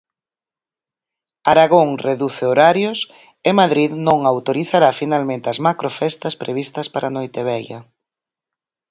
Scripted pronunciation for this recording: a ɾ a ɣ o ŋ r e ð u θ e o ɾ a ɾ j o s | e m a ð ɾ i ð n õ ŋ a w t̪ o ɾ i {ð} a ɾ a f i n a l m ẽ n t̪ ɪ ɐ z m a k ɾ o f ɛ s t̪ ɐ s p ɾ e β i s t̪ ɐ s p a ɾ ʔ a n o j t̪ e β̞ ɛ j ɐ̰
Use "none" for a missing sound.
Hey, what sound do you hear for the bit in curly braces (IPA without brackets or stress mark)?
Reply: θ